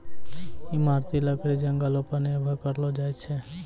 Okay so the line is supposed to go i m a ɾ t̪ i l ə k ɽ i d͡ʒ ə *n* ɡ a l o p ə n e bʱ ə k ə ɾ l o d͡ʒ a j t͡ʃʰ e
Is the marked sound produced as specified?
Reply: no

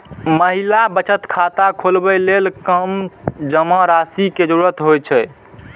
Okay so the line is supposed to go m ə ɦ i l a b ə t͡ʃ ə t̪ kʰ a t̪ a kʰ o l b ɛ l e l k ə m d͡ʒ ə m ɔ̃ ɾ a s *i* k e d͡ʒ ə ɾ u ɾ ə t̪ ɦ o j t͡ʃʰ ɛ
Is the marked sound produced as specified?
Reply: yes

